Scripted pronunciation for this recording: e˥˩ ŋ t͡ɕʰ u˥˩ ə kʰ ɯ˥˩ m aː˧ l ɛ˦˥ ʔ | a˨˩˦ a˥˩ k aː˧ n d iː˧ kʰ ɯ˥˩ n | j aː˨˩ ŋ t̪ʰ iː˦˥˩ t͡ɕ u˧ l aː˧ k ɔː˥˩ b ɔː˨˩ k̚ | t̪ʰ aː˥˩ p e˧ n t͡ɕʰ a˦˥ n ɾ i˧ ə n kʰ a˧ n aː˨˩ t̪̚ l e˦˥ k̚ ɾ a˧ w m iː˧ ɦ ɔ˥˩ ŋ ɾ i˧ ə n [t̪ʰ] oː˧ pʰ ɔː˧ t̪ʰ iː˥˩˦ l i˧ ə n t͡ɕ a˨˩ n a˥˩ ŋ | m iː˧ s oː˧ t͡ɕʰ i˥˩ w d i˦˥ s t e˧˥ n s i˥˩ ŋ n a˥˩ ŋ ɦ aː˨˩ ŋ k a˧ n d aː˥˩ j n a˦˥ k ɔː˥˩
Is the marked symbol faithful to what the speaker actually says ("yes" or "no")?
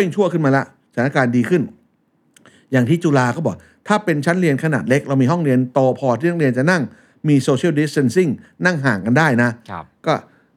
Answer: no